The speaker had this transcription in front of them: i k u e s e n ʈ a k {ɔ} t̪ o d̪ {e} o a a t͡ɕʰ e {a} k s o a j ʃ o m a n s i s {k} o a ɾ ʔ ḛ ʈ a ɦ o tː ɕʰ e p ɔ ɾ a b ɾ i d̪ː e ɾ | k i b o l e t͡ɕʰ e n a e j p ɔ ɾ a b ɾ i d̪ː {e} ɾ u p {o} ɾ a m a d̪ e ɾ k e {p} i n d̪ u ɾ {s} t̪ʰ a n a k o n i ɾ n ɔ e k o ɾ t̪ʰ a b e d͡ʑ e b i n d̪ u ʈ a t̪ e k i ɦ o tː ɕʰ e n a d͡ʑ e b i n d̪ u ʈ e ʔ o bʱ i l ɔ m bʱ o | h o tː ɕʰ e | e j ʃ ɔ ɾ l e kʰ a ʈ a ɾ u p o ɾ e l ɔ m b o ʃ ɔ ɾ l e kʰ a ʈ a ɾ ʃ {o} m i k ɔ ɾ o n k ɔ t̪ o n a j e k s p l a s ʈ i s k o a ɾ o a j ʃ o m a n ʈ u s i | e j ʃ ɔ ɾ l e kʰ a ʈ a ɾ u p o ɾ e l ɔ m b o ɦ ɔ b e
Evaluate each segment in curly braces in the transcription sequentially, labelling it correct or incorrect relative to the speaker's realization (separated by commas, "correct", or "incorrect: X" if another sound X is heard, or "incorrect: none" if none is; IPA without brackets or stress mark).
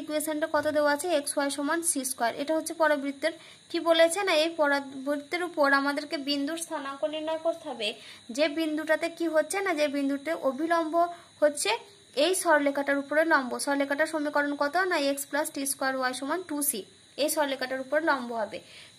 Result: correct, correct, incorrect: e, correct, correct, correct, incorrect: b, correct, correct